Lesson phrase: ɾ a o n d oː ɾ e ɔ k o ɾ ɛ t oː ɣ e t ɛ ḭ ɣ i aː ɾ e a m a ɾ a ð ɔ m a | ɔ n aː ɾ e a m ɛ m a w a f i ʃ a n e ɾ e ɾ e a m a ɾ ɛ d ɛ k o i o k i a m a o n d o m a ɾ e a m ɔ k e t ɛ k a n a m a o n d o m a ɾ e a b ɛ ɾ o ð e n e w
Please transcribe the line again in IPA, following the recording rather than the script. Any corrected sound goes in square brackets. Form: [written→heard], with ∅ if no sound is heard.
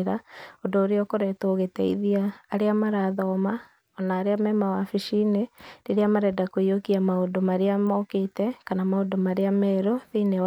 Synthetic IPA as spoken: ɾ a o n d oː ɾ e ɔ k o ɾ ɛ t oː ɣ e t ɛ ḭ [ɣ→ð] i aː ɾ e a m a ɾ a ð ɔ m a | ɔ n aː ɾ e a m ɛ m a w a f i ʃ [a→i] n e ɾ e ɾ e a m a ɾ ɛ d [ɛ→a] k o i o k i a m a o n d o m a ɾ e a m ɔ k e t ɛ k a n a m a o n d o m a ɾ e a [b→m] ɛ ɾ o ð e n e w